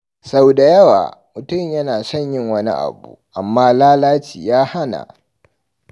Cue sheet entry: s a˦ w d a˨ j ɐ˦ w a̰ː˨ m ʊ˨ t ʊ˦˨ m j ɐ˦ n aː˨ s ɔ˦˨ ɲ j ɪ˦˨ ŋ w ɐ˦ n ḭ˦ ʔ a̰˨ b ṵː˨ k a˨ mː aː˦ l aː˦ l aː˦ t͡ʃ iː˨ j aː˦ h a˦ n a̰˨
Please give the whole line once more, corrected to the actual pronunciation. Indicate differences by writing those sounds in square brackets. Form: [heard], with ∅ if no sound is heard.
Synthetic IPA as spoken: s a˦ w d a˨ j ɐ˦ w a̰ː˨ m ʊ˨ t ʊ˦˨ m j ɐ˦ n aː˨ s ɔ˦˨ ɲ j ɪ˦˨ ŋ w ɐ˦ n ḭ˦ ʔ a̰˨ b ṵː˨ [ʔ] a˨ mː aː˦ l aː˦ l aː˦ t͡ʃ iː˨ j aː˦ h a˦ n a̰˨